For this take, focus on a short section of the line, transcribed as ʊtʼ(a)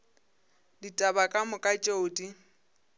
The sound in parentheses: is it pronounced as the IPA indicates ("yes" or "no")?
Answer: no